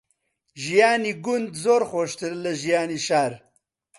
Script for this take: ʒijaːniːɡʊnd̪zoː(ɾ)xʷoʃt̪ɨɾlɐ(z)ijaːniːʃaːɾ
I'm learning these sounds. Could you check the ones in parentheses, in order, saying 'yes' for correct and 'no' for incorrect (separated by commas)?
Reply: yes, no